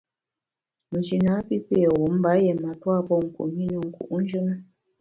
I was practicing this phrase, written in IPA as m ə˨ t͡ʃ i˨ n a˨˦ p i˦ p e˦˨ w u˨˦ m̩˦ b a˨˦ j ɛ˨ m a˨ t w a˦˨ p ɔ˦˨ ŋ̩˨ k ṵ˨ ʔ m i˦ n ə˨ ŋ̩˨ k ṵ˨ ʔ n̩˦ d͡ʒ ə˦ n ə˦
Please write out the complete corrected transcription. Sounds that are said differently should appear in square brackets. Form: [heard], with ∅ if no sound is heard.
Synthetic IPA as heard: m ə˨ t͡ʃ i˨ n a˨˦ p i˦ p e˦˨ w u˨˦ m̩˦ b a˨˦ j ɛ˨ m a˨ t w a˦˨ p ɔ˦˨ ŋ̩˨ k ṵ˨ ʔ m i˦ n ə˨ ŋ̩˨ k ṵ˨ ʔ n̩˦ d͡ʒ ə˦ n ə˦